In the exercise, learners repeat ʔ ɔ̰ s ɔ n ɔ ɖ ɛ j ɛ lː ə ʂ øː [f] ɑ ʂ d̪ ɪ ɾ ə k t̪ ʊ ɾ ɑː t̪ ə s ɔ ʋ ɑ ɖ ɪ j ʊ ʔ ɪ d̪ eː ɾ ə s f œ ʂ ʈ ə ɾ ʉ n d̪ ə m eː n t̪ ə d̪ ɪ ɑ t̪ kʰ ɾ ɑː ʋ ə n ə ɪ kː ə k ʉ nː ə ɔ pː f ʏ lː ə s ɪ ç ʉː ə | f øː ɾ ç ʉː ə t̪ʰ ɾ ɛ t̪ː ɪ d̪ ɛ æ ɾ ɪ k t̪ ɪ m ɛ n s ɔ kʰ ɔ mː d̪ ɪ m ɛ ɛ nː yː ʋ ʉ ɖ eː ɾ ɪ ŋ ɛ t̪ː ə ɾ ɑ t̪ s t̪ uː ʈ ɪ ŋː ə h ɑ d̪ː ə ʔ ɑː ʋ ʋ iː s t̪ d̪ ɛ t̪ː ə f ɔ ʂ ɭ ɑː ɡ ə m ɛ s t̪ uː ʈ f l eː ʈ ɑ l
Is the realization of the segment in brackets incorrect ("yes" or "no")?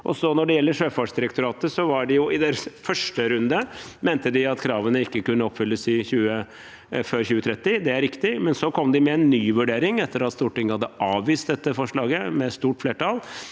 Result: no